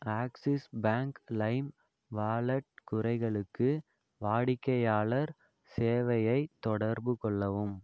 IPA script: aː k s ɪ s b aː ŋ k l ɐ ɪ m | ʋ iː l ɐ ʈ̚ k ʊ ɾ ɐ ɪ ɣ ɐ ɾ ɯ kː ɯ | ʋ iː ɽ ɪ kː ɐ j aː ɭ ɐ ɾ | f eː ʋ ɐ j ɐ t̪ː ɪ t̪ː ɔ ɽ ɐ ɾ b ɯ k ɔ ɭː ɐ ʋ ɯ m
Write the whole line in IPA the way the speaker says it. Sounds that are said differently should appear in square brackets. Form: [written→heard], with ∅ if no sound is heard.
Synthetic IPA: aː k s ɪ s b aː ŋ k l ɐ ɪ m | ʋ [iː→aː] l ɐ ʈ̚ k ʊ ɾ ɐ ɪ ɣ ɐ [ɾ→ɭ] ɯ kː ɯ | ʋ [iː→aː] ɽ ɪ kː ɐ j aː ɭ ɐ ɾ | [f→s] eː ʋ ɐ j ɐ [t̪ː→∅] ɪ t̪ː ɔ ɽ ɐ ɾ b ɯ k ɔ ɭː ɐ ʋ ɯ m

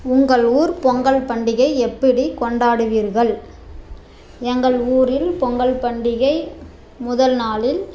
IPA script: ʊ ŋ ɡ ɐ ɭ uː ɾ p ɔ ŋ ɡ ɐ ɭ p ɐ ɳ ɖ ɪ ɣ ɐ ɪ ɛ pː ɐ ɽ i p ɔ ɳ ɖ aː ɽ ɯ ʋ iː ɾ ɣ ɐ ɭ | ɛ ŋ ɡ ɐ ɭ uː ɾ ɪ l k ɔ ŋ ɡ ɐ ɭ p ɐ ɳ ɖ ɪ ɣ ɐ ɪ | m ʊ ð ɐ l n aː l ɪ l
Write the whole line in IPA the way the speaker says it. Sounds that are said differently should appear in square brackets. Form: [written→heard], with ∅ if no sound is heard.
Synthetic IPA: ʊ ŋ ɡ ɐ ɭ uː ɾ p ɔ ŋ ɡ ɐ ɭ p ɐ ɳ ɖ ɪ ɣ ɐ ɪ ɛ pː ɐ ɽ i [p→k] ɔ ɳ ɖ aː ɽ ɯ ʋ iː ɾ ɣ ɐ ɭ | ɛ ŋ ɡ ɐ ɭ uː ɾ ɪ l [k→p] ɔ ŋ ɡ ɐ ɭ p ɐ ɳ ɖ ɪ ɣ ɐ ɪ | m ʊ ð ɐ l n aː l ɪ l

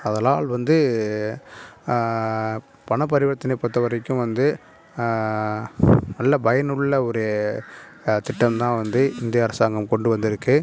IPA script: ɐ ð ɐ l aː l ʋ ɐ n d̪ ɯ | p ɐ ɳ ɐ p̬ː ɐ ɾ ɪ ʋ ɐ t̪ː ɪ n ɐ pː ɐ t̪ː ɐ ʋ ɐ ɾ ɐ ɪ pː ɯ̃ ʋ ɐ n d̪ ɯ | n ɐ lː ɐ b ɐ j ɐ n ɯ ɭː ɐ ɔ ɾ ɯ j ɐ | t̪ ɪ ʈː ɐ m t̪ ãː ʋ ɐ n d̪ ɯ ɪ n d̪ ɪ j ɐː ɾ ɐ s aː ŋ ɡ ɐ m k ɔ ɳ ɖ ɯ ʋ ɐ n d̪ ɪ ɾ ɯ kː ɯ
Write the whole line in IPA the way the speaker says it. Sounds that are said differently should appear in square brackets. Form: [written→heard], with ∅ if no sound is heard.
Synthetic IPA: ɐ ð ɐ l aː l ʋ ɐ n d̪ ɯ | p ɐ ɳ ɐ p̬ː ɐ ɾ ɪ ʋ ɐ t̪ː ɪ n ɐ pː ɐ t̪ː ɐ ʋ ɐ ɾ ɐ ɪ [pː→kː] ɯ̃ ʋ ɐ n d̪ ɯ | n ɐ lː ɐ b ɐ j ɐ n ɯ ɭː ɐ ɔ ɾ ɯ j ɐ | t̪ ɪ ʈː ɐ m t̪ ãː ʋ ɐ n d̪ ɯ ɪ n d̪ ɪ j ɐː ɾ ɐ s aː ŋ ɡ ɐ m k ɔ ɳ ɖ ɯ ʋ ɐ n d̪ ɪ ɾ ɯ kː ɯ

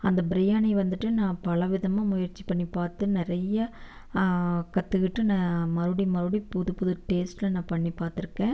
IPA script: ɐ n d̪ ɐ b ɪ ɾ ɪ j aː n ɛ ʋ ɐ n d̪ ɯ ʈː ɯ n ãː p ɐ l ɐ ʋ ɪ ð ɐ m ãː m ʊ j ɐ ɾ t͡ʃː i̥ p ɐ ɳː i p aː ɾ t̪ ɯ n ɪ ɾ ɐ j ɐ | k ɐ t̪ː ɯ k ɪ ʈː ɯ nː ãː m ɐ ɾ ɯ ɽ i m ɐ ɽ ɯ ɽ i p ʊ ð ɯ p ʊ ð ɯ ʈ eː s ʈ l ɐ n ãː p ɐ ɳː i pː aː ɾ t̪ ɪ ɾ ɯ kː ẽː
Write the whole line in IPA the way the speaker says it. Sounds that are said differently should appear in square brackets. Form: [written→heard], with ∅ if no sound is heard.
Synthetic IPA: ɐ n d̪ ɐ b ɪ ɾ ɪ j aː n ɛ ʋ ɐ n d̪ ɯ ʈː ɯ n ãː p ɐ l ɐ ʋ ɪ ð ɐ m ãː m ʊ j ɐ ɾ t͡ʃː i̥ p ɐ ɳː i p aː ɾ t̪ ɯ n ɪ ɾ ɐ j ɐ | k ɐ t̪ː ɯ k ɪ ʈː ɯ [nː→n] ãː m ɐ ɾ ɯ ɽ i m ɐ [ɽ→ɾ] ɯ ɽ i p ʊ ð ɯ p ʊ ð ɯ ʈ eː s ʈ l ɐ n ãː p ɐ ɳː i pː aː ɾ t̪ ɪ ɾ ɯ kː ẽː

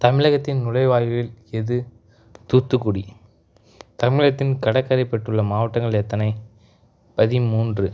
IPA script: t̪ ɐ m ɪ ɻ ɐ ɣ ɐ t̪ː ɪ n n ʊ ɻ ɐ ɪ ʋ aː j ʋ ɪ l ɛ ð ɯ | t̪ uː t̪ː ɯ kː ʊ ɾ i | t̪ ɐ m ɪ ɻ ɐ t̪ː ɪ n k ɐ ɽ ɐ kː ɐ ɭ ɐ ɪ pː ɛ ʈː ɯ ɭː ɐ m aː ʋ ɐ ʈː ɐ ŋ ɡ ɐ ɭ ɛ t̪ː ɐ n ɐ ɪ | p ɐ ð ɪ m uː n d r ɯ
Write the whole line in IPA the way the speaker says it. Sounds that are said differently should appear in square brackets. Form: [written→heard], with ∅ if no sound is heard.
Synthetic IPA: t̪ ɐ m ɪ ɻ ɐ ɣ ɐ t̪ː ɪ n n ʊ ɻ ɐ ɪ ʋ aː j ʋ ɪ l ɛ ð ɯ | t̪ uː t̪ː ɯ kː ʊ [ɾ→ɽ] i | t̪ ɐ m ɪ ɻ ɐ t̪ː ɪ n k ɐ ɽ ɐ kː ɐ [ɭ→ɾ] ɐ ɪ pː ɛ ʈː ɯ ɭː ɐ m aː ʋ ɐ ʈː ɐ ŋ ɡ ɐ ɭ ɛ t̪ː ɐ n ɐ ɪ | p ɐ ð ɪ m uː n d r ɯ

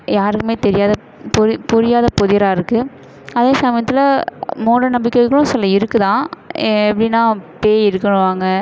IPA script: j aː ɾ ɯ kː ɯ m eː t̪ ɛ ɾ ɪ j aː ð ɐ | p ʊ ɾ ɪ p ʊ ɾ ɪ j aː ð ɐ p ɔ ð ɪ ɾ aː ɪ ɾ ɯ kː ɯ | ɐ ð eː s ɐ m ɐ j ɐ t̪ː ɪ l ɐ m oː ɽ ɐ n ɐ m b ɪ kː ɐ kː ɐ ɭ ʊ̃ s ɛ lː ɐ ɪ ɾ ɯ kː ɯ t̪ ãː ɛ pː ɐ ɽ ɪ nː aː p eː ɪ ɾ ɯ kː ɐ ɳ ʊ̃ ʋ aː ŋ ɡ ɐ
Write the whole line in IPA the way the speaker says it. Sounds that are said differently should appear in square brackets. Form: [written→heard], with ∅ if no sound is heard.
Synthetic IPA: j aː ɾ ɯ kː ɯ m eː t̪ ɛ ɾ ɪ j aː ð ɐ | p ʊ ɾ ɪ p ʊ ɾ ɪ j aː ð ɐ p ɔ ð ɪ ɾ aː ɪ ɾ ɯ kː ɯ | ɐ ð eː s ɐ m ɐ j ɐ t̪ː ɪ l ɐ m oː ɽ ɐ n ɐ m b ɪ kː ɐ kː ɐ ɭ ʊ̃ s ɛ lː ɐ ɪ ɾ ɯ kː ɯ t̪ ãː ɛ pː ɐ ɽ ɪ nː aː p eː ɪ ɾ ɯ kː ɐ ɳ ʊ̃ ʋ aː ŋ ɡ ɐ

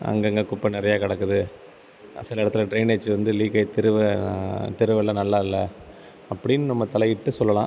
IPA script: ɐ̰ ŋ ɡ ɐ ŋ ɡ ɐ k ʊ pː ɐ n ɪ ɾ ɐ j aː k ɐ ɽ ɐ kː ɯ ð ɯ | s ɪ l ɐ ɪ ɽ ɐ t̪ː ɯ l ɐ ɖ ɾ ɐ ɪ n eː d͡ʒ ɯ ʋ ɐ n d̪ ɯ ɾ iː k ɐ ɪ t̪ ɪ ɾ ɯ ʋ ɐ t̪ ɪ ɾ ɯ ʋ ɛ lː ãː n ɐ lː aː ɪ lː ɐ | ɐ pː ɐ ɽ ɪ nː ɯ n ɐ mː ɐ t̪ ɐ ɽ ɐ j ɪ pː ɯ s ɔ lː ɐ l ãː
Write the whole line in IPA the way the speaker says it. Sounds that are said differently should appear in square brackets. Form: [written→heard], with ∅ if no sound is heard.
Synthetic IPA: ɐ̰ ŋ ɡ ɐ ŋ ɡ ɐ k ʊ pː ɐ n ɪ ɾ ɐ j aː k ɐ ɽ ɐ kː ɯ ð ɯ | s ɪ l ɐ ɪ ɽ ɐ t̪ː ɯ l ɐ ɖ ɾ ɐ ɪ n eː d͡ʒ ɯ ʋ ɐ n d̪ ɯ [ɾ→l] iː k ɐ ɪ t̪ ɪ ɾ ɯ ʋ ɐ t̪ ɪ ɾ ɯ ʋ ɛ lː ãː n ɐ lː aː ɪ lː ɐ | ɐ pː ɐ ɽ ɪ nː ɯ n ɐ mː ɐ t̪ ɐ [ɽ→l] ɐ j ɪ [pː→ʈː] ɯ s ɔ lː ɐ l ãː

